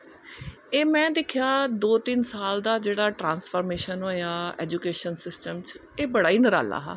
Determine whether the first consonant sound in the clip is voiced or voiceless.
voiced